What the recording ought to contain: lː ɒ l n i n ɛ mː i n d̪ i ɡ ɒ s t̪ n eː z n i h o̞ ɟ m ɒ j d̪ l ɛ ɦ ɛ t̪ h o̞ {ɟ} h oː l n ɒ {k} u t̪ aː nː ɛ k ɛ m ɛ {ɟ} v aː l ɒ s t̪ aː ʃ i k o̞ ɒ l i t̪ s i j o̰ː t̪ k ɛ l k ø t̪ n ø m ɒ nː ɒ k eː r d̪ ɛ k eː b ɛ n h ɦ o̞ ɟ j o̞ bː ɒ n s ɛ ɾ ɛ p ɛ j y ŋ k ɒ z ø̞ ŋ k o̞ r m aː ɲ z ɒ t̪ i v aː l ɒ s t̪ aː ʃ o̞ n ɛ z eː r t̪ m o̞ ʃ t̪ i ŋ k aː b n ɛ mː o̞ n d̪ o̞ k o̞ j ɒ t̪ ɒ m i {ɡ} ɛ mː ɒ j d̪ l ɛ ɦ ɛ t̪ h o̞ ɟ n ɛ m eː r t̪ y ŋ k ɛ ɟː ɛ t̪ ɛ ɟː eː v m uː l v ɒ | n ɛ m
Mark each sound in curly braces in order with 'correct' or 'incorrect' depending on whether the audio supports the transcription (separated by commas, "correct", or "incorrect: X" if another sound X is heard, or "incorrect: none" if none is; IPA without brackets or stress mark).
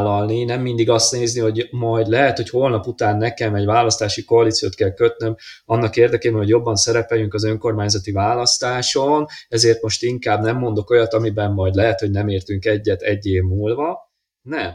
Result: incorrect: c, incorrect: p, correct, incorrect: b